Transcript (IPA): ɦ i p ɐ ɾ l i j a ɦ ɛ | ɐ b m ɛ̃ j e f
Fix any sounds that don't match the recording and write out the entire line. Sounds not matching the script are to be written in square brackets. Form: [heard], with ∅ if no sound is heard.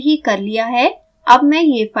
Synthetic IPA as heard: ɦ i [k] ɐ ɾ l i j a ɦ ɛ | ɐ b m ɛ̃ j e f